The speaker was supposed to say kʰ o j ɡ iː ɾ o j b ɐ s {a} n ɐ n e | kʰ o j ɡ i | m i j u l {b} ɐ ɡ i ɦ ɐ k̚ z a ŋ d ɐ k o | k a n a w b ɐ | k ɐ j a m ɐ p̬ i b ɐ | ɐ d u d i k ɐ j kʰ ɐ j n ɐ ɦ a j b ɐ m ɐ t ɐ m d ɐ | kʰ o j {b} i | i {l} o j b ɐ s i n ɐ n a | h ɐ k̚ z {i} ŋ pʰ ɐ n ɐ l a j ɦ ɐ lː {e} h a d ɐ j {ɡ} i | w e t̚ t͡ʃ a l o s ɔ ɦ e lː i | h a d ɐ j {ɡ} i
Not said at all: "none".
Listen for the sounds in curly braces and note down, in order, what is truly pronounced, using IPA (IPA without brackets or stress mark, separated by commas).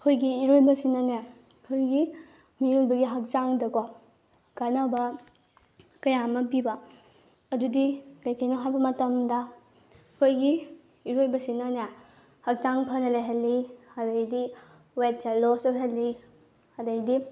i, b, ɡ, ɾ, a, i, d, d